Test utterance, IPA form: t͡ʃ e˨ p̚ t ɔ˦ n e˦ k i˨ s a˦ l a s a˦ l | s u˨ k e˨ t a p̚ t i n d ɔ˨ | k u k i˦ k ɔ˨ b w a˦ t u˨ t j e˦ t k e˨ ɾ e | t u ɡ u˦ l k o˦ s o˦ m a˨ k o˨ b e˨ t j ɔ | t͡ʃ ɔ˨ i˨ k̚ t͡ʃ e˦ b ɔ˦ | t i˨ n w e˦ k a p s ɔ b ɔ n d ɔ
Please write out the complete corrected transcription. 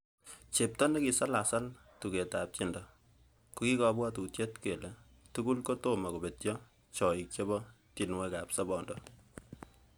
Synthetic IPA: t͡ʃ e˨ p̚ t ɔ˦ n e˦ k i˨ s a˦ l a s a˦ l | t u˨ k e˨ t a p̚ t͡ʃ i n d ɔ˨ | k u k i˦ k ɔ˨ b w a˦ t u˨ t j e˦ t k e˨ l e | t u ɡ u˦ l k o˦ t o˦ m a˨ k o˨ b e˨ t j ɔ | t͡ʃ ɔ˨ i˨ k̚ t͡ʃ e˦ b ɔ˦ | t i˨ n w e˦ k a p s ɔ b ɔ n d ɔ